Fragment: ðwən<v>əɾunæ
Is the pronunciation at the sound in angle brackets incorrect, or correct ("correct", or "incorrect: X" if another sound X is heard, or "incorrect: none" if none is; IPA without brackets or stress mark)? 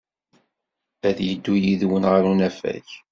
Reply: incorrect: ʁ